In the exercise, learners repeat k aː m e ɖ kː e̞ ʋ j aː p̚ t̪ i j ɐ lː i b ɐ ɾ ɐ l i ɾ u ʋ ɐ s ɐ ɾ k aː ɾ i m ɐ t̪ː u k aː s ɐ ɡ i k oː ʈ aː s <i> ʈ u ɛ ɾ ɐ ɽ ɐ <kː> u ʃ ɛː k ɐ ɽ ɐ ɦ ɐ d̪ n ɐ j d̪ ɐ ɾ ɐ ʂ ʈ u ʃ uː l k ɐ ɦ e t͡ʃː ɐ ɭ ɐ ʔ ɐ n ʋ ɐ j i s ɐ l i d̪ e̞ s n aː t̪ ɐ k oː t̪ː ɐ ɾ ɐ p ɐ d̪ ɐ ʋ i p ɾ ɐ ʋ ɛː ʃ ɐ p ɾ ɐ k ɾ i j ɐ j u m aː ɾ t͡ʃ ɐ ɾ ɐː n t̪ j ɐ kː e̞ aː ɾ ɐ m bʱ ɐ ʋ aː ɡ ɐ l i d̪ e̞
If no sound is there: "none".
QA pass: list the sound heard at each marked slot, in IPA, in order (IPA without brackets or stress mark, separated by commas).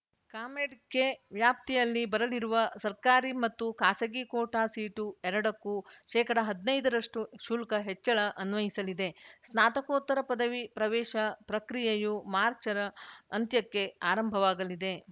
iː, kː